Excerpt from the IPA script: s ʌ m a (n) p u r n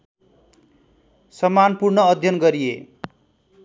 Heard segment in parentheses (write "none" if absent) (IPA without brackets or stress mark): n